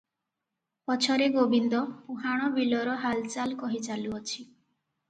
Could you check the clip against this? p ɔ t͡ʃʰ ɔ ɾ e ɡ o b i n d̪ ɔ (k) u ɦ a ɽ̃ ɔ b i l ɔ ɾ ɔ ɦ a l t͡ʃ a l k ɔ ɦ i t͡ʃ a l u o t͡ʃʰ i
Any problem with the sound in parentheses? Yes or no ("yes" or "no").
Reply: yes